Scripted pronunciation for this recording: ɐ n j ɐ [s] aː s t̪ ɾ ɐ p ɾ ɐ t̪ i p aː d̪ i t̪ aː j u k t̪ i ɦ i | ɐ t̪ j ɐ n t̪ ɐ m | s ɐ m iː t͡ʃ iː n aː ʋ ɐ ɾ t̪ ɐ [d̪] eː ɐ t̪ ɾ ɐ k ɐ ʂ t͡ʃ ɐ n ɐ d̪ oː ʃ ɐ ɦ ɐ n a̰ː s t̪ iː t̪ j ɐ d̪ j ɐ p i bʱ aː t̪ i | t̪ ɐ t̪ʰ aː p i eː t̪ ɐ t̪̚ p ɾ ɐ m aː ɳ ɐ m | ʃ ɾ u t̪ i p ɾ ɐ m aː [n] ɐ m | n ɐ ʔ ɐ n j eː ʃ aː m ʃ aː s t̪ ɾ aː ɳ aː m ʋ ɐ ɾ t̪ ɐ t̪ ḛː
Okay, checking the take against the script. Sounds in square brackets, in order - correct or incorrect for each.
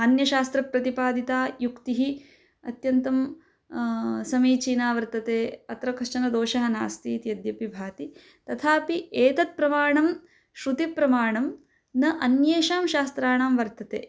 incorrect: ʃ, incorrect: t̪, incorrect: ɳ

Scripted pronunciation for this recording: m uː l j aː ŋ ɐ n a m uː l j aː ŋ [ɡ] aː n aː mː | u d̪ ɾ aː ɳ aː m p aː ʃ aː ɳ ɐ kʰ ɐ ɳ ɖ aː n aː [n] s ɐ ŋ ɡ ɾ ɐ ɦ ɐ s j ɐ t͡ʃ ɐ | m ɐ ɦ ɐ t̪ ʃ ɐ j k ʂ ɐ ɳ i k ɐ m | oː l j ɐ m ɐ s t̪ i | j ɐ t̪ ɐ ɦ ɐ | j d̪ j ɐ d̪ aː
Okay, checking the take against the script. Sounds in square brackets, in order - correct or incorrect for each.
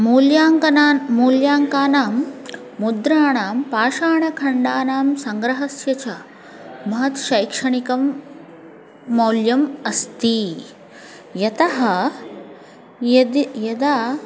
incorrect: k, incorrect: m

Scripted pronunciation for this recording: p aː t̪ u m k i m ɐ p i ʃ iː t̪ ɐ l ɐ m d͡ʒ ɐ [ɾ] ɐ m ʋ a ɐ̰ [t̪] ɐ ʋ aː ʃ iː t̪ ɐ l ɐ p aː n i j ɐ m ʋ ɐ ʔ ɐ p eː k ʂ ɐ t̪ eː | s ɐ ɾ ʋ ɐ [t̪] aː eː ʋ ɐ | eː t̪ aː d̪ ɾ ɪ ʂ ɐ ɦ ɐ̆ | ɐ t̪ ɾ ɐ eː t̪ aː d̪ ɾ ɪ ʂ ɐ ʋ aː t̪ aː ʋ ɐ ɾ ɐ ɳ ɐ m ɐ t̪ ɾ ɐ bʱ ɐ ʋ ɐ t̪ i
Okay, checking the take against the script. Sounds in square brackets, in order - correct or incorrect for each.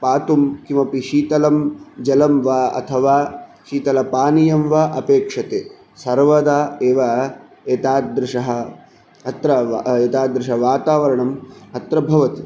incorrect: l, incorrect: t̪ʰ, incorrect: d̪

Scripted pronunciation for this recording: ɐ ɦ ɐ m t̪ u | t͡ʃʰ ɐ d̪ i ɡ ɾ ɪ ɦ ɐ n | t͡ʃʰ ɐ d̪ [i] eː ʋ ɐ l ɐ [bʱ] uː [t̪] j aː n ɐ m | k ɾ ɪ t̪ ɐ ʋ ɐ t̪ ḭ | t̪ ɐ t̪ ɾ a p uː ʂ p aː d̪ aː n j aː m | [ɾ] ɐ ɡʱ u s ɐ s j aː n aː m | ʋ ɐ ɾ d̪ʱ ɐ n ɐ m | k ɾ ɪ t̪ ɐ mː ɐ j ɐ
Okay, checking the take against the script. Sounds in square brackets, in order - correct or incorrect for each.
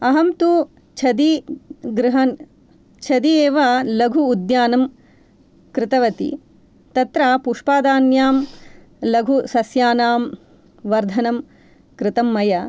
correct, incorrect: ɡʱ, incorrect: d̪, incorrect: l

